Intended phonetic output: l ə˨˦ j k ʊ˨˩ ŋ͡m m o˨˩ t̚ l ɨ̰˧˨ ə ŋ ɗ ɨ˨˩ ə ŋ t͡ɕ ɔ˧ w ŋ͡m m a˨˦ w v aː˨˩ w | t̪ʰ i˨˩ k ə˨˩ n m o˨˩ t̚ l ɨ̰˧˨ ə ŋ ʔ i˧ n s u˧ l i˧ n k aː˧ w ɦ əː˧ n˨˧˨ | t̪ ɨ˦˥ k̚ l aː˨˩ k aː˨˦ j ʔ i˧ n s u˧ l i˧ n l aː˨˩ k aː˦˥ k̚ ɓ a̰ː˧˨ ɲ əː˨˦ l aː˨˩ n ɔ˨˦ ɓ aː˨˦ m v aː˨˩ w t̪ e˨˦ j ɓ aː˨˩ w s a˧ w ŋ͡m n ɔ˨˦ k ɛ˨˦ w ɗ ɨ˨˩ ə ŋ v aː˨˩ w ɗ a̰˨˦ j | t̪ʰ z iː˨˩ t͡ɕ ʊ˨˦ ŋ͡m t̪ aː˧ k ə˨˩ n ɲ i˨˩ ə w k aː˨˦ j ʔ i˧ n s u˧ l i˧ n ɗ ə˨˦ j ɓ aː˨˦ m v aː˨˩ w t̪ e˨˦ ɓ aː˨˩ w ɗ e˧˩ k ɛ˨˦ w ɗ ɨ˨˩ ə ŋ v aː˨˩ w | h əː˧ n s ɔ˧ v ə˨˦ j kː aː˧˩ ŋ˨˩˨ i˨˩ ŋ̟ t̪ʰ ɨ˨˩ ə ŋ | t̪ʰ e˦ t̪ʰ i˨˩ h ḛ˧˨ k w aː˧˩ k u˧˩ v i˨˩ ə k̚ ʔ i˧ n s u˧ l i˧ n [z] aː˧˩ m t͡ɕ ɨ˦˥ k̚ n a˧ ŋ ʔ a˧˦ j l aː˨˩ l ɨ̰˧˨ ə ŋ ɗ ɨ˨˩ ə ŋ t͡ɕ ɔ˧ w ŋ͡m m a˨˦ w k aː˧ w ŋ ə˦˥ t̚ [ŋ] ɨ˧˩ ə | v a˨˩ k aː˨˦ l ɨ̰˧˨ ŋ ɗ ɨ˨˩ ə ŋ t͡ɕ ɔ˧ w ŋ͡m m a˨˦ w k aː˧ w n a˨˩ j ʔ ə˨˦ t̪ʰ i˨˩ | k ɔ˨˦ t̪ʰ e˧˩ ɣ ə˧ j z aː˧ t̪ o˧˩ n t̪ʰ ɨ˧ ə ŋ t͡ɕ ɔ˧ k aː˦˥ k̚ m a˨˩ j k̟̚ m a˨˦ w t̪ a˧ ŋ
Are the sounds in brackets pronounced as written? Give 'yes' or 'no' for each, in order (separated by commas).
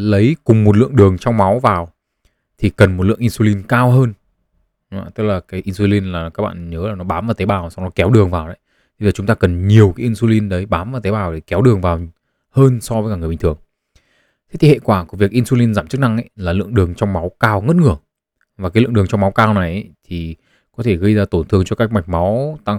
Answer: yes, yes